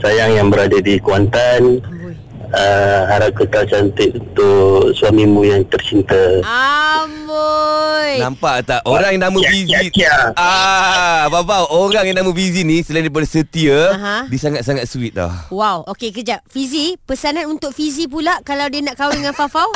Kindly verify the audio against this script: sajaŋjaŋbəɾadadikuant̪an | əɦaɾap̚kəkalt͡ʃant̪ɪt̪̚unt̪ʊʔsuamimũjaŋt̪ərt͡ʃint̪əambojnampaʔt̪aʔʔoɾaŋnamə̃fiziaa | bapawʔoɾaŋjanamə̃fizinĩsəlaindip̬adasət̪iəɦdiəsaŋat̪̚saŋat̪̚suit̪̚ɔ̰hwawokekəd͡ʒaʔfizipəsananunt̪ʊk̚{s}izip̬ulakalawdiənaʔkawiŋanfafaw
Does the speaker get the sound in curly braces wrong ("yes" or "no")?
yes